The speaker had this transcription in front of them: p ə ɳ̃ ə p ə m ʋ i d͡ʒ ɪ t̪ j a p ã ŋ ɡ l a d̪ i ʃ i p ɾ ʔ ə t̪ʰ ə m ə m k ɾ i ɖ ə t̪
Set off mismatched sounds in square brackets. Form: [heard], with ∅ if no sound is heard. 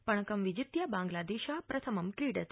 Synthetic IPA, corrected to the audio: p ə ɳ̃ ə [k] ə m ʋ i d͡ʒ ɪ t̪ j a [b] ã ŋ ɡ l a d̪ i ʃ [a] p ɾ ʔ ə t̪ʰ ə m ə m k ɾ i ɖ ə t̪